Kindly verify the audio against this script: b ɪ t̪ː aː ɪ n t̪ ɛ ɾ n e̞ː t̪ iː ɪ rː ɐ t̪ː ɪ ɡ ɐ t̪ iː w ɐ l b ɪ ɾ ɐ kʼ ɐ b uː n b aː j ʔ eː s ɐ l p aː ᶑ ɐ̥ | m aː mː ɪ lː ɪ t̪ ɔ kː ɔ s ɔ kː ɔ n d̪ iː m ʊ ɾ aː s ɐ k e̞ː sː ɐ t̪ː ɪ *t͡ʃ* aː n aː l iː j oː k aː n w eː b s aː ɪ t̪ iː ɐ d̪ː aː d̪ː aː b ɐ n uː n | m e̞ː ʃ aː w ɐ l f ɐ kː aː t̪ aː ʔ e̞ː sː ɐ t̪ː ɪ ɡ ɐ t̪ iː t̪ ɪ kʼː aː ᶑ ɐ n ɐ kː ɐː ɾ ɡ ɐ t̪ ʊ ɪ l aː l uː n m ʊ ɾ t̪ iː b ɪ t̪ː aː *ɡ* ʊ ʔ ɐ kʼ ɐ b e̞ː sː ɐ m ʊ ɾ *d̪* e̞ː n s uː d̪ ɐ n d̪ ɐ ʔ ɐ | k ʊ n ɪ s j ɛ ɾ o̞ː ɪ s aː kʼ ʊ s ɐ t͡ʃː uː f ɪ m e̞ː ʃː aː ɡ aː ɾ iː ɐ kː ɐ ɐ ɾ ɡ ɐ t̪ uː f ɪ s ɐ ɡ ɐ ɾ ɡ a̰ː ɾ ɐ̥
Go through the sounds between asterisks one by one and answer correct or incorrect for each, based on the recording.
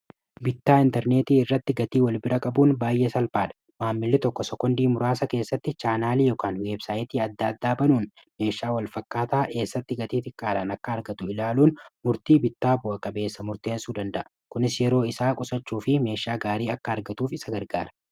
correct, incorrect, incorrect

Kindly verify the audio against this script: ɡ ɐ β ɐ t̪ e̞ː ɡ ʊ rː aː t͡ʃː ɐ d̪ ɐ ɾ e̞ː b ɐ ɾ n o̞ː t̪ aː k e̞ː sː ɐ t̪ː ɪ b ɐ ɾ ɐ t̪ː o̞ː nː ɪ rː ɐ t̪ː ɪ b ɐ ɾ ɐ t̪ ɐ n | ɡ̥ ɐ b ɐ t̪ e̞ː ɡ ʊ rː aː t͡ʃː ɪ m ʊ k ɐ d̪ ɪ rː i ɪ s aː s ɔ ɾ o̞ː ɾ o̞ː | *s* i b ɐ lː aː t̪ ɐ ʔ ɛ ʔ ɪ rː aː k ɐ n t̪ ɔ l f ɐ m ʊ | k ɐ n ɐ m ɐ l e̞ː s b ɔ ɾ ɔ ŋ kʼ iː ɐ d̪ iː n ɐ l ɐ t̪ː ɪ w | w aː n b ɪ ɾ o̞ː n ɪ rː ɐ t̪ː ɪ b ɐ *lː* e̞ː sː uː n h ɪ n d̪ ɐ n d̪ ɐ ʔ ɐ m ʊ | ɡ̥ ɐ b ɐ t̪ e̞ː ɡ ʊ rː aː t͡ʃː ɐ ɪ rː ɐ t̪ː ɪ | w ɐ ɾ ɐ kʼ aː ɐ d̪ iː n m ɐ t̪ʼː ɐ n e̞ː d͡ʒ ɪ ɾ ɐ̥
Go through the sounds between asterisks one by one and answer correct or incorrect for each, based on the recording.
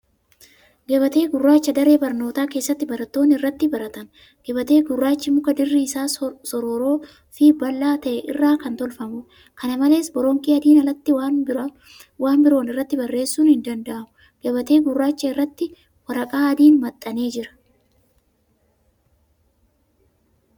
incorrect, incorrect

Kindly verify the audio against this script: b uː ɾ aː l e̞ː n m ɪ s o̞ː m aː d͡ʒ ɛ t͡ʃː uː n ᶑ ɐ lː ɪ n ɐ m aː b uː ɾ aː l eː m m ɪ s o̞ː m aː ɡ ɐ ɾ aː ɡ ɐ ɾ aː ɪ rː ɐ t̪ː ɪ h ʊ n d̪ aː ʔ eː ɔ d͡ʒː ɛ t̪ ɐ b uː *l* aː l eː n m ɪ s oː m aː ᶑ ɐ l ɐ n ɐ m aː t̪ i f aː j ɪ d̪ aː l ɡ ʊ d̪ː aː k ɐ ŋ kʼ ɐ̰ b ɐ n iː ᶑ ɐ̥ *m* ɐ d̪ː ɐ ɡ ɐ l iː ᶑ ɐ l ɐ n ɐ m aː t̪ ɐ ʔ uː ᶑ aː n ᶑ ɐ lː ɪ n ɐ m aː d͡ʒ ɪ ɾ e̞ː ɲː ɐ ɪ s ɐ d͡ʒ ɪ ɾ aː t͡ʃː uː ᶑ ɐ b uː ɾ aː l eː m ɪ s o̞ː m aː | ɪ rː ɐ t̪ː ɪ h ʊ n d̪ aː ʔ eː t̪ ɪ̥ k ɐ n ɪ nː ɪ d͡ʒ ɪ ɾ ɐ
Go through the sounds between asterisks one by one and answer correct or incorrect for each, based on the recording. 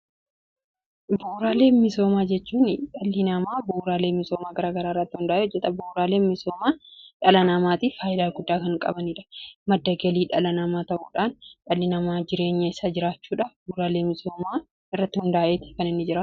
incorrect, correct

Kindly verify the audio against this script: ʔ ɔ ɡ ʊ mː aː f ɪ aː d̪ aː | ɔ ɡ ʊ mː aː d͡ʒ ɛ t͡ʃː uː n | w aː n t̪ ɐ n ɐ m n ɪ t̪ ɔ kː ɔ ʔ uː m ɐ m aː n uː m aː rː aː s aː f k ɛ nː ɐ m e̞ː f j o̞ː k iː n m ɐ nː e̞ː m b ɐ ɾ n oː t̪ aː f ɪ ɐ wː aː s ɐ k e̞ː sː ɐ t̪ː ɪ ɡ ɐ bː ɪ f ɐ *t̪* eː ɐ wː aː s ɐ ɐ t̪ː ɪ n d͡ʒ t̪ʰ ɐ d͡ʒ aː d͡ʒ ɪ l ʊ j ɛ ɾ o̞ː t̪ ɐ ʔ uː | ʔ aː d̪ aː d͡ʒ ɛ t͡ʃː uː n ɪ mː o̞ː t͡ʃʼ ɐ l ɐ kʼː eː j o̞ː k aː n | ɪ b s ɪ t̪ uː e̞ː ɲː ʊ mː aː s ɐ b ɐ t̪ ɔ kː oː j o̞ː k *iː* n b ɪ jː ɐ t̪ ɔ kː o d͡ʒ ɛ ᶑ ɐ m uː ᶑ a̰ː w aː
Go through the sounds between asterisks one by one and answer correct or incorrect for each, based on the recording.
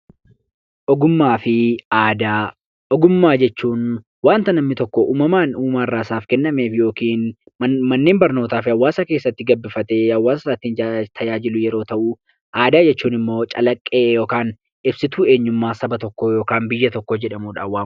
correct, incorrect

